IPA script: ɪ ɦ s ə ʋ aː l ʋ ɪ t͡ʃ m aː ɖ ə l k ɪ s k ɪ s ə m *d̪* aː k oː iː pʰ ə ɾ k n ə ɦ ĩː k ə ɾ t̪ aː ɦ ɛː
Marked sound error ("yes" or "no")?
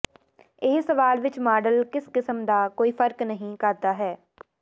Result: no